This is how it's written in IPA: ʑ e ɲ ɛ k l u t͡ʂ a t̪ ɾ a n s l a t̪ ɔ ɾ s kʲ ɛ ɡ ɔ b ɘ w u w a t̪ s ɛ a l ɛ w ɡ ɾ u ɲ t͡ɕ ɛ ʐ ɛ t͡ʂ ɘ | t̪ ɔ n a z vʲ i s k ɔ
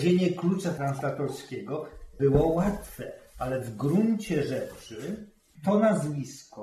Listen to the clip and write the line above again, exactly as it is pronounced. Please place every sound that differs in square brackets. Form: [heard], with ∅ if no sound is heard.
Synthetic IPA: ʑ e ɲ ɛ k l u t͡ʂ a t̪ ɾ a n s l a t̪ ɔ ɾ s kʲ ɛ ɡ ɔ b ɘ w [ɔ] w a t̪ [f] ɛ a l ɛ [v] ɡ ɾ u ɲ t͡ɕ ɛ ʐ ɛ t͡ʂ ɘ | t̪ ɔ n a z vʲ i s k ɔ